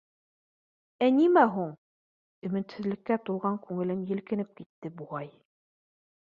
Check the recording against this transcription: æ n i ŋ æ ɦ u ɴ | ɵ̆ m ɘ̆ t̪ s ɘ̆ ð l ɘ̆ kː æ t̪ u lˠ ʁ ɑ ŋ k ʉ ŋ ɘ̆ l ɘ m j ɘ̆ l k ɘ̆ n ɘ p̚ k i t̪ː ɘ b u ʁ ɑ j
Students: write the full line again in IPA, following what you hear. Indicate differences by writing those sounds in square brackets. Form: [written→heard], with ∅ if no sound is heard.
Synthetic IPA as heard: æ n i [ŋ→m] æ ɦ u ɴ | ɵ̆ m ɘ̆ t̪ s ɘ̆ ð l ɘ̆ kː æ t̪ u lˠ ʁ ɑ ŋ k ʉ ŋ ɘ̆ l ɘ m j ɘ̆ l k ɘ̆ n ɘ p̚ k i t̪ː ɘ b u ʁ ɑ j